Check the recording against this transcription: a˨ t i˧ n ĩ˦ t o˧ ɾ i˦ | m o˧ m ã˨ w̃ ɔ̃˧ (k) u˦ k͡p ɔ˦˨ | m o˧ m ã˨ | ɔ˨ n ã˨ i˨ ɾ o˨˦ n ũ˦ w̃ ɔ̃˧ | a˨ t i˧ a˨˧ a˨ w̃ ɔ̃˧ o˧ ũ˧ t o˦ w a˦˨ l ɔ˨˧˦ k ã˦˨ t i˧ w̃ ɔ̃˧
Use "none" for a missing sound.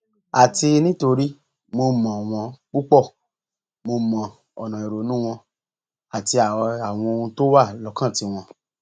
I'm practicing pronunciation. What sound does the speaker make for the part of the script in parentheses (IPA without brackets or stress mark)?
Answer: k͡p